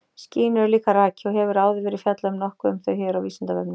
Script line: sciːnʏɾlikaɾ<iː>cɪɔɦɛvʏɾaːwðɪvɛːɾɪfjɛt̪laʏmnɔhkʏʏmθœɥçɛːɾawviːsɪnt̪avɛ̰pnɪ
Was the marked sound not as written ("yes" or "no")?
yes